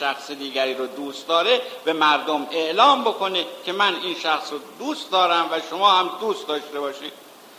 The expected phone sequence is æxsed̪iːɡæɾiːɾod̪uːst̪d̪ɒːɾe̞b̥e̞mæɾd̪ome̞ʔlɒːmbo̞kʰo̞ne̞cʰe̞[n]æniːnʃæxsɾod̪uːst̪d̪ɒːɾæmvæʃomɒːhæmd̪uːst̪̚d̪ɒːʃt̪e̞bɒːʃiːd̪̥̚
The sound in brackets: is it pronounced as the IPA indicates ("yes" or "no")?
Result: no